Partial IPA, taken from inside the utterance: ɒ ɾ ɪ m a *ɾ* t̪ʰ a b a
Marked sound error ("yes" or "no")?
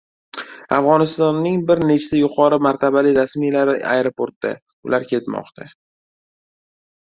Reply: no